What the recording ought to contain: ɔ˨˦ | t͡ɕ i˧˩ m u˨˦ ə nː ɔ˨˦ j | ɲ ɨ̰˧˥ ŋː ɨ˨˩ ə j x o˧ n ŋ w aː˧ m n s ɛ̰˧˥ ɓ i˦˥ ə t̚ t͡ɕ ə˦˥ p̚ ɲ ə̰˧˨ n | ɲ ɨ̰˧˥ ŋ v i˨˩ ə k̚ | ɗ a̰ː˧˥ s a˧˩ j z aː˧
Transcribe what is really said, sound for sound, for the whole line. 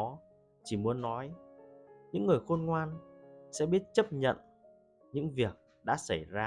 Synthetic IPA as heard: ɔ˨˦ | t͡ɕ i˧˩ m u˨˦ ə nː ɔ˨˦ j | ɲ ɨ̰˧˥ ŋː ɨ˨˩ ə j x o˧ n ŋ w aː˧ n s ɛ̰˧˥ ɓ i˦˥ ə t̚ t͡ɕ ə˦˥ p̚ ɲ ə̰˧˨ n | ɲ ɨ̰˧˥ ŋ v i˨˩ ə k̚ | ɗ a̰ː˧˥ s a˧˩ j z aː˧